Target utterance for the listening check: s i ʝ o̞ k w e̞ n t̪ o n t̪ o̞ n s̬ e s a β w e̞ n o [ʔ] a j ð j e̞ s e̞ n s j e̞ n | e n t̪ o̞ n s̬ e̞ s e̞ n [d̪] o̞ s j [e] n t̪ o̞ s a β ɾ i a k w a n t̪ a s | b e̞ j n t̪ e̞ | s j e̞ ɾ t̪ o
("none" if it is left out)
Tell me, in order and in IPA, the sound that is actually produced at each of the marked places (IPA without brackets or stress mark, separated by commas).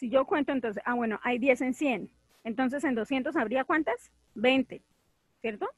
ʔ, d̪, e